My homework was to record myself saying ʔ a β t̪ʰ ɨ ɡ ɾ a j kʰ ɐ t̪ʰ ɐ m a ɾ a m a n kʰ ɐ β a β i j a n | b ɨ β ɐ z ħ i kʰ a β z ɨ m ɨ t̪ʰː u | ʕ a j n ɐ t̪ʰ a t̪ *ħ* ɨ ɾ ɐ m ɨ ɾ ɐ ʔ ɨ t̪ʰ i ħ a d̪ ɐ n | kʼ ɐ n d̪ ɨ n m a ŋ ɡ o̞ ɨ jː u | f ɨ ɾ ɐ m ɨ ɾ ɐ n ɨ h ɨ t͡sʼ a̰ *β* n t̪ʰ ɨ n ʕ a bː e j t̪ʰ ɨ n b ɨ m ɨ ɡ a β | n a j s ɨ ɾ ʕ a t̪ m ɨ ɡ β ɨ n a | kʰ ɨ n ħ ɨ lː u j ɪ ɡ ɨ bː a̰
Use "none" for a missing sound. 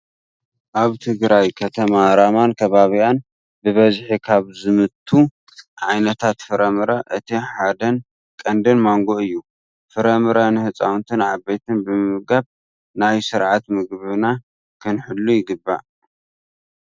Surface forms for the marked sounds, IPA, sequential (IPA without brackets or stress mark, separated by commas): f, w